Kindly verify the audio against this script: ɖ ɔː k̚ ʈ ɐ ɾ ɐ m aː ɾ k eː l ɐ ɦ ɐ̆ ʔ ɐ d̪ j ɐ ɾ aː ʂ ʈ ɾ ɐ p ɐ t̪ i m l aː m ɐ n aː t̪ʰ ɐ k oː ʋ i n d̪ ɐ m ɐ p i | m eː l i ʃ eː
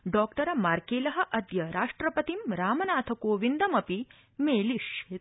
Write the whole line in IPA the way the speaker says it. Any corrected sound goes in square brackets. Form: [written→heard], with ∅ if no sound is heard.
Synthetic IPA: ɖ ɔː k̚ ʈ ɐ ɾ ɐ m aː ɾ k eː l ɐ ɦ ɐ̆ ʔ ɐ d̪ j ɐ ɾ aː ʂ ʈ ɾ ɐ p ɐ t̪ i m [l→ɾ] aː m ɐ n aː t̪ʰ ɐ k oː ʋ i n d̪ ɐ m ɐ p i | m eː l i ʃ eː